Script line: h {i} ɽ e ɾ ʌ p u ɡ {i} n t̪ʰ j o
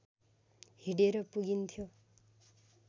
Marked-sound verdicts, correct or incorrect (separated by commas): correct, correct